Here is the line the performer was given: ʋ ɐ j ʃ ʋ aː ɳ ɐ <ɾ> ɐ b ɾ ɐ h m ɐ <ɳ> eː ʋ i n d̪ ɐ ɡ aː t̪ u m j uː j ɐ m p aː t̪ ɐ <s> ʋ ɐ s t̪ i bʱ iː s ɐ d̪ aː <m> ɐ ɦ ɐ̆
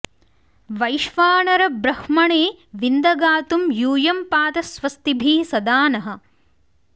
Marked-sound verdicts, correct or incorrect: correct, correct, correct, incorrect: n

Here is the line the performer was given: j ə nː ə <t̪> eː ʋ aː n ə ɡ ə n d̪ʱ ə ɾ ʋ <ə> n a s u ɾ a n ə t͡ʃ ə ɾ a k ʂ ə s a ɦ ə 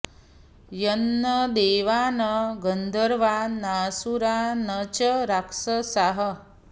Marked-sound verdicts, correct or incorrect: incorrect: d̪, incorrect: a

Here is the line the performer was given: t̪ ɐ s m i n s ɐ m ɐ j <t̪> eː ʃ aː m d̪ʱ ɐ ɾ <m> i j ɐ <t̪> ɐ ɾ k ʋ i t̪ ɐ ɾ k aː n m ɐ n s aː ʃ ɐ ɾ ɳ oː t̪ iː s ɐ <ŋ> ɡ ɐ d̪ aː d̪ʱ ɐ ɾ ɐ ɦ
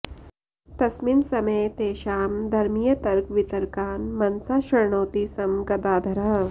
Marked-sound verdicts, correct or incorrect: correct, correct, correct, incorrect: m

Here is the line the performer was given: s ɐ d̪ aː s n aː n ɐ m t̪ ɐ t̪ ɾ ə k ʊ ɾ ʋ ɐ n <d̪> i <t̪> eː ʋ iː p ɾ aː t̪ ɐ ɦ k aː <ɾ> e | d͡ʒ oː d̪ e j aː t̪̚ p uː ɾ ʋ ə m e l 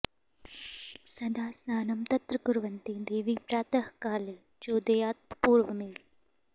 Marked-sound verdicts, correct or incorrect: incorrect: t̪, incorrect: d̪, incorrect: l

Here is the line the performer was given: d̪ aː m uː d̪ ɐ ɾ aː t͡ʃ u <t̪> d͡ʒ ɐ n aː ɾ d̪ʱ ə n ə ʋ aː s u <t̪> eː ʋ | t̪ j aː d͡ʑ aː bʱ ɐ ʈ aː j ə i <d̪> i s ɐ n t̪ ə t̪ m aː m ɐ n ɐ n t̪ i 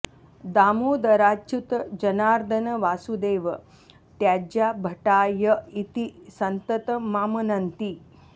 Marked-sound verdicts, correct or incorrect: correct, incorrect: d̪, incorrect: t̪

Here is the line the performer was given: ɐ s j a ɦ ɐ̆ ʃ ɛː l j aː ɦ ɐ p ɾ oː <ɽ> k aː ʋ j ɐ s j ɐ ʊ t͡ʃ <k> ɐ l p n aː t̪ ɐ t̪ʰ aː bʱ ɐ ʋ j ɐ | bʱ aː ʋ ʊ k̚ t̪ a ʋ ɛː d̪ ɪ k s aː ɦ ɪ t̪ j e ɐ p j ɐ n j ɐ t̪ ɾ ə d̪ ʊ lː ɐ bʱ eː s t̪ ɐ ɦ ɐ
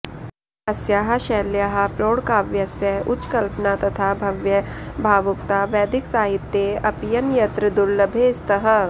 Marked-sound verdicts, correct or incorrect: correct, correct

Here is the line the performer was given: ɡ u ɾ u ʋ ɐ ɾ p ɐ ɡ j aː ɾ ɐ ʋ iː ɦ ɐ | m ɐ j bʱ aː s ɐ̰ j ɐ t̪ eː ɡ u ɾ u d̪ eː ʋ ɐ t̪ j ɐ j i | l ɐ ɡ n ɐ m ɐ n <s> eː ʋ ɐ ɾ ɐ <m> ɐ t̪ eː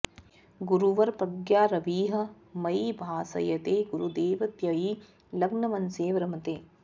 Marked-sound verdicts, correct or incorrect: correct, correct

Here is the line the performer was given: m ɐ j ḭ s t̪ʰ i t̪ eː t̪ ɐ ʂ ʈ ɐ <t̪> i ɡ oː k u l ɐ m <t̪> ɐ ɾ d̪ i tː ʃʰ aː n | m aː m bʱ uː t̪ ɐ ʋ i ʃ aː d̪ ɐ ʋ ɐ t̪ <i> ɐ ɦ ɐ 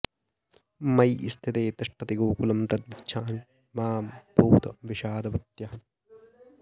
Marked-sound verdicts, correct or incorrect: correct, correct, incorrect: j

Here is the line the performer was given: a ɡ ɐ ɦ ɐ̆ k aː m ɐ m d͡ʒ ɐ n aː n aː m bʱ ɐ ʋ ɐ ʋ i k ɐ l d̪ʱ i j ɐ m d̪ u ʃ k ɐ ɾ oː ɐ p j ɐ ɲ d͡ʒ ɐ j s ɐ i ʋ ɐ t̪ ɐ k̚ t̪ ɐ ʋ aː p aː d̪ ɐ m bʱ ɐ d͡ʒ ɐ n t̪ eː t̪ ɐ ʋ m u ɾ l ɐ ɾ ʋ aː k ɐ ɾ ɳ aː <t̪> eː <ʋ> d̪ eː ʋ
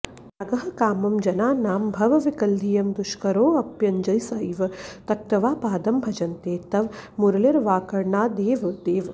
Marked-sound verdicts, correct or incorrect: incorrect: d̪, correct

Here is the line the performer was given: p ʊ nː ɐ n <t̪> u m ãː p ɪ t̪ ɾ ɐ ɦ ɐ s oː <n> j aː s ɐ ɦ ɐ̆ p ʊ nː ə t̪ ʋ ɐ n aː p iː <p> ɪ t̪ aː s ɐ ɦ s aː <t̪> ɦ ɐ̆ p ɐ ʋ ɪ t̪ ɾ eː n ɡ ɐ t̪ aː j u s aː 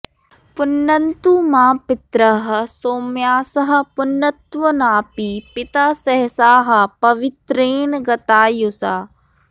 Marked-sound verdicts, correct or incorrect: correct, incorrect: m, correct, incorrect: none

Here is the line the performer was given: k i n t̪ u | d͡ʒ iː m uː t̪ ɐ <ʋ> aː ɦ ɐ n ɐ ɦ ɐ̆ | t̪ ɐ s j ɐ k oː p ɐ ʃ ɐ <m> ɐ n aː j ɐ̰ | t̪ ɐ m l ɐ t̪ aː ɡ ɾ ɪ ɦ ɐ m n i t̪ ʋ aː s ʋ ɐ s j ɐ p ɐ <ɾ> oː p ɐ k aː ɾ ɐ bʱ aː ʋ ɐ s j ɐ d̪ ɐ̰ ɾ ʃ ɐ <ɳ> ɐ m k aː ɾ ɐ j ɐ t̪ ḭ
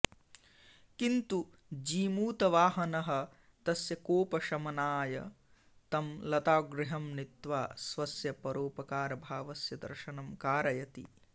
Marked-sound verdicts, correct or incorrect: correct, correct, correct, incorrect: n

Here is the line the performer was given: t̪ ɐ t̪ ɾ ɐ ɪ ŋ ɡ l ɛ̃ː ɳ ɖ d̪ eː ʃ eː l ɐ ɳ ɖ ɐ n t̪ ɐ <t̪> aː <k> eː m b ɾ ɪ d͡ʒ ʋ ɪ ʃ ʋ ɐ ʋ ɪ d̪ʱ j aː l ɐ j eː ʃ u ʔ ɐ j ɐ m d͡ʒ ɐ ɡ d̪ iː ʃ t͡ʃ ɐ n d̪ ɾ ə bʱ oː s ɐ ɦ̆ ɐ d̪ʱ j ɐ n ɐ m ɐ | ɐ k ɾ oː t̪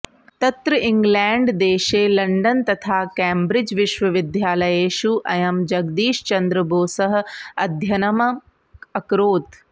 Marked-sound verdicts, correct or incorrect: incorrect: t̪ʰ, correct

